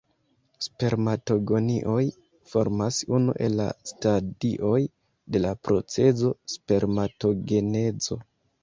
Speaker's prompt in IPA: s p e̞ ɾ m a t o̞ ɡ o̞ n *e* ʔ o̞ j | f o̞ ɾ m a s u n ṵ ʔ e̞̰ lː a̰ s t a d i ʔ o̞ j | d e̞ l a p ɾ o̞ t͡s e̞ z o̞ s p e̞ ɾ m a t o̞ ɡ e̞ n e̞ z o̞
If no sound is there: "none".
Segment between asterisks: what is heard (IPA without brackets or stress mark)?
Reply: i